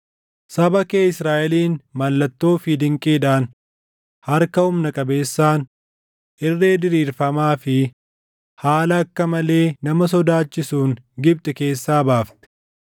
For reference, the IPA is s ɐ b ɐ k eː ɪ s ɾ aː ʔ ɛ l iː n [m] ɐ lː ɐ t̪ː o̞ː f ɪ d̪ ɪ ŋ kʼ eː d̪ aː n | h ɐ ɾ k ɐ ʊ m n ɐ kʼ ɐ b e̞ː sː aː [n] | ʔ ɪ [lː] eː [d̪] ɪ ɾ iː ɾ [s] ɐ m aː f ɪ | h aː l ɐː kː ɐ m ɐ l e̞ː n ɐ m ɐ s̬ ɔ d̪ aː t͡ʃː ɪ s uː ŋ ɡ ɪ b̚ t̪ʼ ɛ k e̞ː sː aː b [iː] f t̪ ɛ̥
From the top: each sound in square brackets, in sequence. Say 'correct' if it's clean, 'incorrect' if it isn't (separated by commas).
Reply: correct, correct, incorrect, correct, incorrect, incorrect